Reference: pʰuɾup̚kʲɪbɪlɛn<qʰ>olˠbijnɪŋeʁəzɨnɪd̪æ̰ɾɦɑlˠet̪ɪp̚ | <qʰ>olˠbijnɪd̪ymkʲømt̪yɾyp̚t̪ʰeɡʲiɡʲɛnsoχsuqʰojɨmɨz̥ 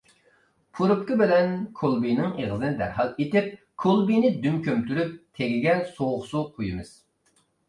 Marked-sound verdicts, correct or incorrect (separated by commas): incorrect, incorrect